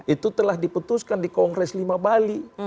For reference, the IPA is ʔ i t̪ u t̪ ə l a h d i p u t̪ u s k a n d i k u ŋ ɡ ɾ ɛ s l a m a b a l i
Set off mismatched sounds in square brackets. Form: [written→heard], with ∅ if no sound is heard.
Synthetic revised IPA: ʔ i t̪ u t̪ ə l a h d i p u t̪ u s k a n d i k [u→ɔ] ŋ ɡ ɾ ɛ s l [a→i] m a b a l i